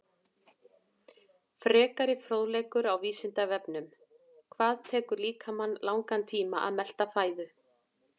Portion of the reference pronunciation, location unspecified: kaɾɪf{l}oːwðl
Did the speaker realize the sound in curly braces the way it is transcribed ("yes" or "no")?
no